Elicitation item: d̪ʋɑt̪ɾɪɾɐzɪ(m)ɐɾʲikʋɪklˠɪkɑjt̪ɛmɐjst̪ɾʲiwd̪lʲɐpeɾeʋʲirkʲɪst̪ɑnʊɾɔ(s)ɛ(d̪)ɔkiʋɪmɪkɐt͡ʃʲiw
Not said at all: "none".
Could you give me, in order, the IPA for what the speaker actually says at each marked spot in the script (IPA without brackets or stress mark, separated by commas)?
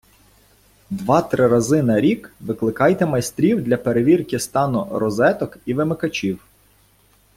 n, z, t̪